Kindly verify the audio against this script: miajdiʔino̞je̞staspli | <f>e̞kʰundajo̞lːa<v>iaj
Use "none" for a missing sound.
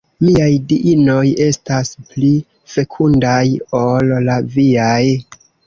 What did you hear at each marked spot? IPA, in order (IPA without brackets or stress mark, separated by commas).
f, v